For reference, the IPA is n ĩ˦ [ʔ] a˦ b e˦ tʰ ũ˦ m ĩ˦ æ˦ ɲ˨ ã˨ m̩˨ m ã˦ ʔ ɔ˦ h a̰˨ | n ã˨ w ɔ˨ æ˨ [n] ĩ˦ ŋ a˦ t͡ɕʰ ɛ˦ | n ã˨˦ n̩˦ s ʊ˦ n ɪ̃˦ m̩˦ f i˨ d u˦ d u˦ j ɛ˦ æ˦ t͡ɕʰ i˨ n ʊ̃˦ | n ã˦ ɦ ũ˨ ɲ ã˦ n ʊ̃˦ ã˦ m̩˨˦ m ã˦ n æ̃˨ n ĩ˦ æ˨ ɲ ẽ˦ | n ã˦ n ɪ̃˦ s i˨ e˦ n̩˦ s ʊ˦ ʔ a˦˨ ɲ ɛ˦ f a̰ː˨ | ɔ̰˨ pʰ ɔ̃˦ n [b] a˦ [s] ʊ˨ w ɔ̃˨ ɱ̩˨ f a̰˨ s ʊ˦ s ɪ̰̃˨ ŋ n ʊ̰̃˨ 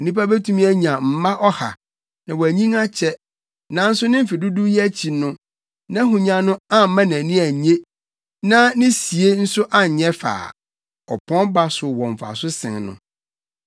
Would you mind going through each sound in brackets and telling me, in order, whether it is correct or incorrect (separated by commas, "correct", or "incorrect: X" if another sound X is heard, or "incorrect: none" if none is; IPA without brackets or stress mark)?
incorrect: p, incorrect: ɲ, correct, correct